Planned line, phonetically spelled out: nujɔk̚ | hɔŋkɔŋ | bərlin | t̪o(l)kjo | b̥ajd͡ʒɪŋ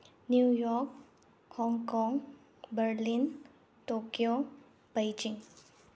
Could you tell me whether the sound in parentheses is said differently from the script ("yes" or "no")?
yes